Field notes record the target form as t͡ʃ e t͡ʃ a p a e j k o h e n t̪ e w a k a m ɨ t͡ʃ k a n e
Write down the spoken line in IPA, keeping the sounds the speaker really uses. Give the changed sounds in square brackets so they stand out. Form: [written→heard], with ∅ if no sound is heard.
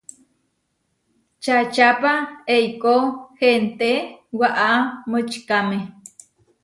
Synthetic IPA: t͡ʃ [e→a] t͡ʃ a p a e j k o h e n t̪ e w a [k→ʔ] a m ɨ t͡ʃ k a [n→m] e